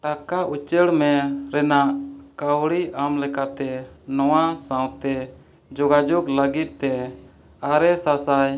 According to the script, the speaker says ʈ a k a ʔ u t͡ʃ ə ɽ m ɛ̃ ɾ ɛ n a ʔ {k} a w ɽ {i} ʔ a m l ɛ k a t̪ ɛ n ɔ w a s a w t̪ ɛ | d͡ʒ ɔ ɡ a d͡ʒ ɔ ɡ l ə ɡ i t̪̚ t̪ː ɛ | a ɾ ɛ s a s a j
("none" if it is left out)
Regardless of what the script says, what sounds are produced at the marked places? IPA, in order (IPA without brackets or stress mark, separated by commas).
k, i